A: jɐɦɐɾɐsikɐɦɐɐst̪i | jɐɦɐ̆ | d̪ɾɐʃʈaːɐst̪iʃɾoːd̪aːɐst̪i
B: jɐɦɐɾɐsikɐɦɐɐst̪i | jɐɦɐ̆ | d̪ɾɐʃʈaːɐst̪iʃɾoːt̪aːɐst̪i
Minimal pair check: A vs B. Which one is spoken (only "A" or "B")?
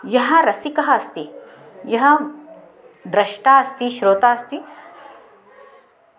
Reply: B